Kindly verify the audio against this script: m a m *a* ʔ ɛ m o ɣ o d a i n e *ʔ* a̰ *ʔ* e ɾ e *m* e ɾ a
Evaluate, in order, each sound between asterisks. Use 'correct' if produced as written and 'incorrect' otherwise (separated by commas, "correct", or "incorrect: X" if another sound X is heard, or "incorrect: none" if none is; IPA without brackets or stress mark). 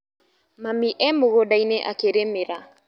incorrect: i, correct, incorrect: k, correct